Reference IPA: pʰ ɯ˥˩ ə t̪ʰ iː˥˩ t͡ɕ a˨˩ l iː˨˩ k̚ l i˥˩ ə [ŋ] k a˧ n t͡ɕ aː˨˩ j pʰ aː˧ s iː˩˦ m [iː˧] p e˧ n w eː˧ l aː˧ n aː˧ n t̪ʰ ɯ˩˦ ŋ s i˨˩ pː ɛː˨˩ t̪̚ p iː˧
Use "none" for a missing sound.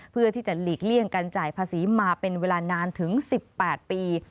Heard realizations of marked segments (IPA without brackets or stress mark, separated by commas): ŋ, aː˧